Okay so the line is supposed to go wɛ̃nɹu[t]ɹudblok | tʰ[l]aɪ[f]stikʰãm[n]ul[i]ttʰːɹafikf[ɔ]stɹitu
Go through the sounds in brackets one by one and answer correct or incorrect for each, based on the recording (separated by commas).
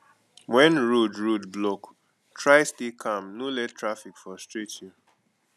incorrect, incorrect, incorrect, correct, incorrect, correct